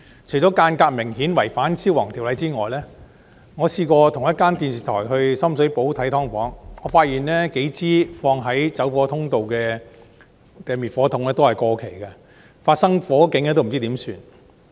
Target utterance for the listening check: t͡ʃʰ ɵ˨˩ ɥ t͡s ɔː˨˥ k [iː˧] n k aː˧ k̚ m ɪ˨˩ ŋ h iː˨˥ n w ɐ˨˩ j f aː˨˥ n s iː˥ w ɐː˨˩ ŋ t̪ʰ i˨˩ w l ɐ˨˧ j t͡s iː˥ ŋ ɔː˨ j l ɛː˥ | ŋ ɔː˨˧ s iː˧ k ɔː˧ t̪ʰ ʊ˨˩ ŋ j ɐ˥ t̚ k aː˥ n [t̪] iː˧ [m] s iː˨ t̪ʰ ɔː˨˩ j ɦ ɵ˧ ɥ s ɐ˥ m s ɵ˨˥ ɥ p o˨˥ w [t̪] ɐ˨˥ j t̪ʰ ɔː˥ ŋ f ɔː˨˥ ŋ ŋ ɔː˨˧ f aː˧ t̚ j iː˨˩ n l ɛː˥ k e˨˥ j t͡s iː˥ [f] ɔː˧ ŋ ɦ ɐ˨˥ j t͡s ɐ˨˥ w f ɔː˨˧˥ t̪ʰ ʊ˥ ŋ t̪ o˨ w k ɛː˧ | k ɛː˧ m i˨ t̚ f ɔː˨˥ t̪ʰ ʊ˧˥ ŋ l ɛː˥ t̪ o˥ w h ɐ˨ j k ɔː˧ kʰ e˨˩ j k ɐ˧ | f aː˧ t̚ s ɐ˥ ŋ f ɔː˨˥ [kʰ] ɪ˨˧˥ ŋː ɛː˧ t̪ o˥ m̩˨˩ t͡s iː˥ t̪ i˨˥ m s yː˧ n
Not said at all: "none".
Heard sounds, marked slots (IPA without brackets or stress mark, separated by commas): aː˧, t̪, n, t̪ʰ, f, k